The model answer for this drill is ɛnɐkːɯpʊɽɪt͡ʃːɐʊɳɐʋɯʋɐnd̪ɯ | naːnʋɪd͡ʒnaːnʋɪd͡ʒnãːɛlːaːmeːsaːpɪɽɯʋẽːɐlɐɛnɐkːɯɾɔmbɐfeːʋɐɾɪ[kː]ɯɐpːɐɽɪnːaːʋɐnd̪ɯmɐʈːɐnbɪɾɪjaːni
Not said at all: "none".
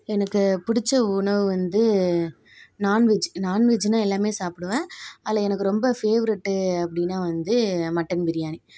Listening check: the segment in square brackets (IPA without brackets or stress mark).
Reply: ʈː